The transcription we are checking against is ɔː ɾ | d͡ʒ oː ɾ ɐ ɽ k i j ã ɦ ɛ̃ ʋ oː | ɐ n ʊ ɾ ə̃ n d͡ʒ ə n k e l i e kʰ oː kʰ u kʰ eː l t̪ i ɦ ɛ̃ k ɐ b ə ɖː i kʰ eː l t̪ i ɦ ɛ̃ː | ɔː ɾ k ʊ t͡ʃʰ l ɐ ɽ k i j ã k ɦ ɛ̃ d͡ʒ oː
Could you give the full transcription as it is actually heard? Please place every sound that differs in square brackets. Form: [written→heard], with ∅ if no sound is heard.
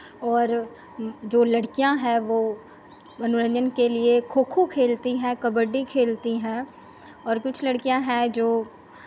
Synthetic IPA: ɔː ɾ | d͡ʒ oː [ɾ→l] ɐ ɽ k i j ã ɦ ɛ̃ ʋ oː | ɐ n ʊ ɾ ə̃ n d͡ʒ ə n k e l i e kʰ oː kʰ u kʰ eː l t̪ i ɦ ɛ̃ k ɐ b ə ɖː i kʰ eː l t̪ i ɦ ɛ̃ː | ɔː ɾ k ʊ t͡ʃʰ l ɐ ɽ k i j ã [k→∅] ɦ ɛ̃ d͡ʒ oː